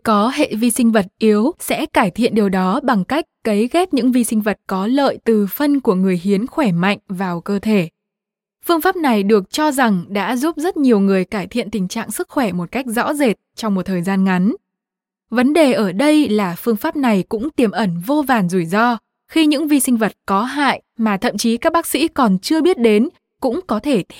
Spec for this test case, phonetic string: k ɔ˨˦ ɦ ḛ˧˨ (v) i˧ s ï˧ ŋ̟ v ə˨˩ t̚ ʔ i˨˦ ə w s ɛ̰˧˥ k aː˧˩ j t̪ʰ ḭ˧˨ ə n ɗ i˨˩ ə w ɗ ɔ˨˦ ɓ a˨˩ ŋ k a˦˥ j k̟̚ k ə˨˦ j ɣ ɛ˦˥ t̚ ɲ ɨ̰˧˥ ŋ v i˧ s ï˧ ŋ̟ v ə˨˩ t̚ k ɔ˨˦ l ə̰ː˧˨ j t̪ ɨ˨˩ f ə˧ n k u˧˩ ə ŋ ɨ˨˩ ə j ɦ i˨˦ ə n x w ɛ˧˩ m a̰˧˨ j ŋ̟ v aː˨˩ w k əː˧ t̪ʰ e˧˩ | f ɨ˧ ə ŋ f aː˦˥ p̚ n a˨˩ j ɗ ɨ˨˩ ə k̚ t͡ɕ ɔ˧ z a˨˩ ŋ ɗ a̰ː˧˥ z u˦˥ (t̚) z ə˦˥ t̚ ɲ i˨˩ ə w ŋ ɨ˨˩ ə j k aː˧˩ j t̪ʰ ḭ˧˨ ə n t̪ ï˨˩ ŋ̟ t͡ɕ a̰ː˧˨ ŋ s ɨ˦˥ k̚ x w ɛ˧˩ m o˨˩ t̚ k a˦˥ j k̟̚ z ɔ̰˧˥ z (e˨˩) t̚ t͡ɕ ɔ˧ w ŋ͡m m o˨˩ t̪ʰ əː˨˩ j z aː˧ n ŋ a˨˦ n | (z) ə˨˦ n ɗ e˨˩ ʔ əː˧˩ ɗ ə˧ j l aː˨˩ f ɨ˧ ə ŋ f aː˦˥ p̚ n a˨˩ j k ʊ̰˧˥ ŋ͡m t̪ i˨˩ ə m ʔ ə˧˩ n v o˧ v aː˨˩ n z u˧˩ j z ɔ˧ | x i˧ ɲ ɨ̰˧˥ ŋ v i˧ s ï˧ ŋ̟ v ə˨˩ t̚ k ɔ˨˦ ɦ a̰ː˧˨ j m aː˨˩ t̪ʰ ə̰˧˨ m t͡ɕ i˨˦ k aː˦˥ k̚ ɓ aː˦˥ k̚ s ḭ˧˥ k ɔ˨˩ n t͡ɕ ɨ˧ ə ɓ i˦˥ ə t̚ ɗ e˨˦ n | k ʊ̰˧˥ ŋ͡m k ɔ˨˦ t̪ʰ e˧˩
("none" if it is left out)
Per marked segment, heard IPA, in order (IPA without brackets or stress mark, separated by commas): v, p̚, e˨˩, v